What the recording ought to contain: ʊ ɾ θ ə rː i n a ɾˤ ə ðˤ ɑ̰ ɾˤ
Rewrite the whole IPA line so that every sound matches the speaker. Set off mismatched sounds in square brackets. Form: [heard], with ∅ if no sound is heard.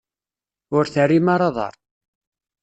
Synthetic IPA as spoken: ʊ ɾ θ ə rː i [m] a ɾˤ [ɑ] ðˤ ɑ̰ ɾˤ